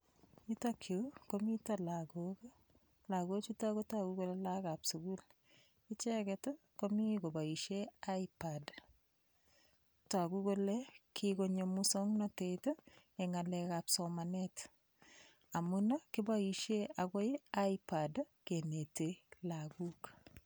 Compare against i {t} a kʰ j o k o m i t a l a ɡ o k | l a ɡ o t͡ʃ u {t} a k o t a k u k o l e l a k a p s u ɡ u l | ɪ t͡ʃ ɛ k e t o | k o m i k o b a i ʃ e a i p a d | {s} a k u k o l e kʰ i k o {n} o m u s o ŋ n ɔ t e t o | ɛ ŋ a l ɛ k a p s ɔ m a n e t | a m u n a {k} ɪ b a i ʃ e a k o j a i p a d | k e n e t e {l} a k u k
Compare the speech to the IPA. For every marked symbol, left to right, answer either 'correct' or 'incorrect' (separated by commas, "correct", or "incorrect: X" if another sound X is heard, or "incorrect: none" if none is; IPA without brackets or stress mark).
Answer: correct, correct, incorrect: t, incorrect: ɲ, correct, correct